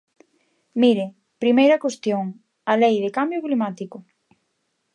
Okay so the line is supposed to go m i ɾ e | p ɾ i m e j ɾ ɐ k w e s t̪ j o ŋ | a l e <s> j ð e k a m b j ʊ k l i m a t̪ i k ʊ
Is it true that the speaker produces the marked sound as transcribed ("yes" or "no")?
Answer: no